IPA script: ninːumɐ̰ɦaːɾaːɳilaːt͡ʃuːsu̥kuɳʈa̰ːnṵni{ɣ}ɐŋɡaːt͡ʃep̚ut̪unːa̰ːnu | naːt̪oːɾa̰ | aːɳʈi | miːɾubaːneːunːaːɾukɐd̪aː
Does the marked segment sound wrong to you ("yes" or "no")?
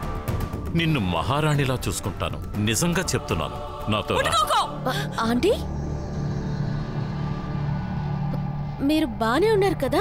yes